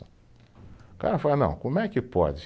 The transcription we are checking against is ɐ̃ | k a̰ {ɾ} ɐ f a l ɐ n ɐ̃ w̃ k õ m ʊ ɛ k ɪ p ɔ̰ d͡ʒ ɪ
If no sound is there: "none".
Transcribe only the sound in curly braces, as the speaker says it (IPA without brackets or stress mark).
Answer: ɾ